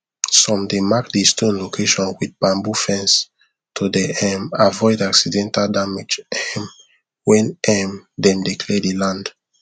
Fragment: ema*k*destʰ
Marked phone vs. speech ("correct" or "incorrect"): correct